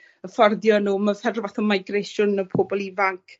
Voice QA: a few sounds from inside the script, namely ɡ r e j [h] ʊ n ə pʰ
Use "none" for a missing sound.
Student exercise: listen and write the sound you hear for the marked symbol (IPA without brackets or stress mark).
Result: ʃ